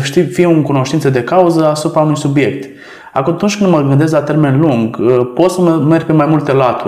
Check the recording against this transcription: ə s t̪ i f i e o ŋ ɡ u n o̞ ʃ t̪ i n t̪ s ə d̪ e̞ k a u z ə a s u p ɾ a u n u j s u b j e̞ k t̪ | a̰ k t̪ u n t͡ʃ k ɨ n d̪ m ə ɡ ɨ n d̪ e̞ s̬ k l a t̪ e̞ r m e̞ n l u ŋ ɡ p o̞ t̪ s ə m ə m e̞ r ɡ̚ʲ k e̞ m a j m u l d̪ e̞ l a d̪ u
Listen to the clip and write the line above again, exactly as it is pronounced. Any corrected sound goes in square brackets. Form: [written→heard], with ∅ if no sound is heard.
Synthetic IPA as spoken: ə [s→ʃ] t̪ i f i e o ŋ [ɡ→k] u n o̞ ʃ t̪ i n t̪ s ə d̪ e̞ k a u z ə a s u p ɾ a u n u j s u b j e̞ k t̪ | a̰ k t̪ u n t͡ʃ k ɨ n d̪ m ə ɡ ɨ n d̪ e̞ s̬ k l a t̪ e̞ r m e̞ n l u ŋ ɡ p o̞ t̪ s ə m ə m e̞ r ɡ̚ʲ [k→p] e̞ m a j m u l [d̪→t̪] e̞ l a [d̪→t̪] u